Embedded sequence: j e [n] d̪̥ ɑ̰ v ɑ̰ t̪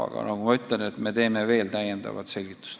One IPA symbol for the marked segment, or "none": n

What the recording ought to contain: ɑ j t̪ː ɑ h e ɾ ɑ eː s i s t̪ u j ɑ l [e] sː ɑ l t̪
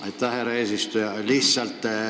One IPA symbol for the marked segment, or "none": i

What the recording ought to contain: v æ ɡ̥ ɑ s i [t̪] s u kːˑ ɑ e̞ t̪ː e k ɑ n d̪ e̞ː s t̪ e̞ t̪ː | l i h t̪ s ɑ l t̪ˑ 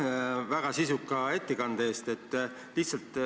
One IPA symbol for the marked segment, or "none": none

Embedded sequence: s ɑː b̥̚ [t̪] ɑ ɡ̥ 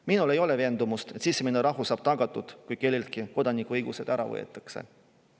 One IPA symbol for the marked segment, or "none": t̪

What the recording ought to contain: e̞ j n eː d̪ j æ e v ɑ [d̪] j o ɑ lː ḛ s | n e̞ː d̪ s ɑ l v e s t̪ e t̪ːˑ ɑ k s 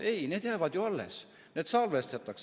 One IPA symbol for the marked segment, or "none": d̪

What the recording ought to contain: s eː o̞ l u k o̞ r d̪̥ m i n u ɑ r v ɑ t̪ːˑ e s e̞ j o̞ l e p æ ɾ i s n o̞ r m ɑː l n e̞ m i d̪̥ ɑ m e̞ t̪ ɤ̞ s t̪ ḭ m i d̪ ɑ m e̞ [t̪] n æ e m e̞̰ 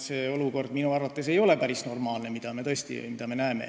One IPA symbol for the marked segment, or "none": none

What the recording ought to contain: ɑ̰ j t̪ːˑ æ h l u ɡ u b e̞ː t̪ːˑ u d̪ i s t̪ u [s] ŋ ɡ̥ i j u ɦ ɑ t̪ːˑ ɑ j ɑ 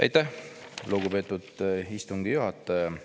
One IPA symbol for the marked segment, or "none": none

